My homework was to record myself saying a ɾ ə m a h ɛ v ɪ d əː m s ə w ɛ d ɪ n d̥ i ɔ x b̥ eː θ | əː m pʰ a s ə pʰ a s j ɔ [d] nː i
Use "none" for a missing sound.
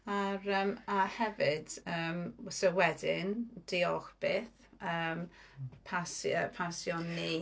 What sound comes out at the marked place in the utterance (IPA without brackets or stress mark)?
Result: none